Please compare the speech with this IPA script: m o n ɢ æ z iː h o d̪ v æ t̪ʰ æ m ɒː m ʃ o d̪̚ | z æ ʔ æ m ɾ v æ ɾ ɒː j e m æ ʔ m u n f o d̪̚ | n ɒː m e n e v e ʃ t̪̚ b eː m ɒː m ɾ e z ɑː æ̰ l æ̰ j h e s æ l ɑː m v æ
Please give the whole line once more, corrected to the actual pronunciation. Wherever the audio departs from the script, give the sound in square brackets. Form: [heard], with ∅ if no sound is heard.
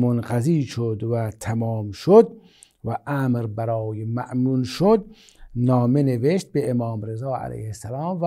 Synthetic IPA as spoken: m o n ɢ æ z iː [ʃ] o d̪ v æ t̪ʰ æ m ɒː m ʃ o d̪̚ | [v] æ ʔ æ m ɾ [b] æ ɾ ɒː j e m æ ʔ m u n [ʃ] o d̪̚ | n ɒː m e n e v e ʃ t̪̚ b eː m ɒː m ɾ e z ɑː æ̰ l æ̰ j h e s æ l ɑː m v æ